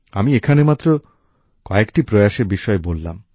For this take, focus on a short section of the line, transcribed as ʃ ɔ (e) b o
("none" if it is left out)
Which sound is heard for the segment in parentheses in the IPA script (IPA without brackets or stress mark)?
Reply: e